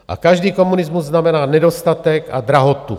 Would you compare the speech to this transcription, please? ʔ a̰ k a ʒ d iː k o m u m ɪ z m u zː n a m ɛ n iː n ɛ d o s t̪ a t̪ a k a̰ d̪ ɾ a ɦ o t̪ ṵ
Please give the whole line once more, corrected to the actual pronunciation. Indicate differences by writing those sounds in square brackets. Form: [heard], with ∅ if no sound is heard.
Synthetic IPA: ʔ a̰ k a ʒ d iː k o m u [n] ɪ z m u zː n a m ɛ n [aː] n ɛ d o s t̪ a t̪ [ɛ] k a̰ d̪ ɾ a ɦ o t̪ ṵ